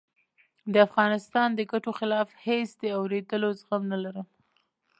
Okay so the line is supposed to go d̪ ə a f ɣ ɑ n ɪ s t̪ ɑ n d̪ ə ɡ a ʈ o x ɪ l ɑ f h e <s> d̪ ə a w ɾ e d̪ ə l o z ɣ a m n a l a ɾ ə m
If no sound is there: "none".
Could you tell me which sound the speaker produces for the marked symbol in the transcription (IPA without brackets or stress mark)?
s